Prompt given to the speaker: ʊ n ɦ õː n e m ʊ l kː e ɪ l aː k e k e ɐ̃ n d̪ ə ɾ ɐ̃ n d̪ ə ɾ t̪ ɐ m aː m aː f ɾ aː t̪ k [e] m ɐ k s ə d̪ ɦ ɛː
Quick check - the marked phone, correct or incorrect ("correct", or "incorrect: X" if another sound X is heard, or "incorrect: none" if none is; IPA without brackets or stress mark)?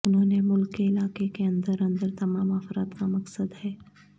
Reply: incorrect: a